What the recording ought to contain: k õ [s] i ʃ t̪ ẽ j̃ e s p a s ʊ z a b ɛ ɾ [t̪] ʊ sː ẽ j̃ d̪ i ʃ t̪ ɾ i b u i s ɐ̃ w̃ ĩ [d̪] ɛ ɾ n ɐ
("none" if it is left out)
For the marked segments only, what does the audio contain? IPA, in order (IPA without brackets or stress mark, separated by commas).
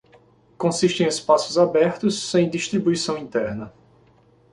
s, t̪, t̪